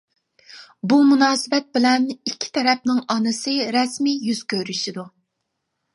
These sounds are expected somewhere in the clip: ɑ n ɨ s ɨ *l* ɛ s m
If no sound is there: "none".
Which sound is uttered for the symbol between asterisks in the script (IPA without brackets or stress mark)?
ɾ